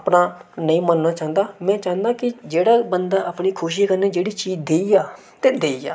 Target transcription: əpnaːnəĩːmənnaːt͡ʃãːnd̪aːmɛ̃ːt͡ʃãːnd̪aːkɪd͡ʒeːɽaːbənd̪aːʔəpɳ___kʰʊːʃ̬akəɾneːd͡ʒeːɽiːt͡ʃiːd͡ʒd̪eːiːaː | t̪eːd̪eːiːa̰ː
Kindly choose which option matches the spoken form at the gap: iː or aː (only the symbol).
iː